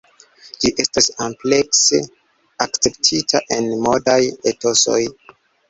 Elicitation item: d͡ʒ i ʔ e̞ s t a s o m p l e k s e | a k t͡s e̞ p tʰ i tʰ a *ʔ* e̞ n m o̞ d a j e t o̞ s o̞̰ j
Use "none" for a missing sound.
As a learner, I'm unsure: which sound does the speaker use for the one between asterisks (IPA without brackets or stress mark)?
ʔ